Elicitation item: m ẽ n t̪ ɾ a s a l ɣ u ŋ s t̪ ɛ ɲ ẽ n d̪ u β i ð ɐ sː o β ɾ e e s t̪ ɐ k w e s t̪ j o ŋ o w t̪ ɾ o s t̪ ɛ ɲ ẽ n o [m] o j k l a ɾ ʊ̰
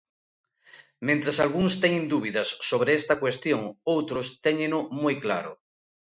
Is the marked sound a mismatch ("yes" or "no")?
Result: no